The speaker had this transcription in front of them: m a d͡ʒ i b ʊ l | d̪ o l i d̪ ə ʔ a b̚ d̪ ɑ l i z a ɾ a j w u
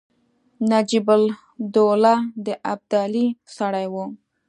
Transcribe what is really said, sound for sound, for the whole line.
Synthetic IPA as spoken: n a d͡ʒ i b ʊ l | d̪ o l a d̪ ə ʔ a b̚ d̪ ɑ l i s a ɽ a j w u